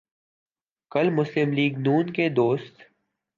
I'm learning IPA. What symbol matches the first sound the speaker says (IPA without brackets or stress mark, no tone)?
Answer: k